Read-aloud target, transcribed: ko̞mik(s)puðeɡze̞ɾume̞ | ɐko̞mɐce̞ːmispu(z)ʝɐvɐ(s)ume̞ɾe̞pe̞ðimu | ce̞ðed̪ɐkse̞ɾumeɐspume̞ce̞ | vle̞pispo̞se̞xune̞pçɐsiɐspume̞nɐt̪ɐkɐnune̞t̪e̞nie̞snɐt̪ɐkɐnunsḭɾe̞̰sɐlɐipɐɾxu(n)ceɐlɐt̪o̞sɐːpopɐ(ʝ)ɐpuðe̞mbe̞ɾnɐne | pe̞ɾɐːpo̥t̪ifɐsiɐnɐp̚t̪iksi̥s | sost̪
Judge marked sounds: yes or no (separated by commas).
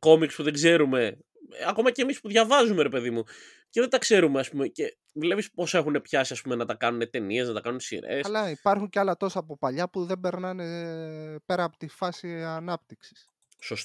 yes, no, no, no, no